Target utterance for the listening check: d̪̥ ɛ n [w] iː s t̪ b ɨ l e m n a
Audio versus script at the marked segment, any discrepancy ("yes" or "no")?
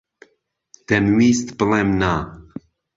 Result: no